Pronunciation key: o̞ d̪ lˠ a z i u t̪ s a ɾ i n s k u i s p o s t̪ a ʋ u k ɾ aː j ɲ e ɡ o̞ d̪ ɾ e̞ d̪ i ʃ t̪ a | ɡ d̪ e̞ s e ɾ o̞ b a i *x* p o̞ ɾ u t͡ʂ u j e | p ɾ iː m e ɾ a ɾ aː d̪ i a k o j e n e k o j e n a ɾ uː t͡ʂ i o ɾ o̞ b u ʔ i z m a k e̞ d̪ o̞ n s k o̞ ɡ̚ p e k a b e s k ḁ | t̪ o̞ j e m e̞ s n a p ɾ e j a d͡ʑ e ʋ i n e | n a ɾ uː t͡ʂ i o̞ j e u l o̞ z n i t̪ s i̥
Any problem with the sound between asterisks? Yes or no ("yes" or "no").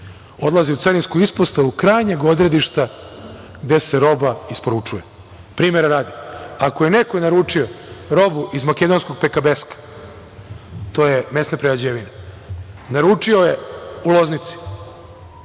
yes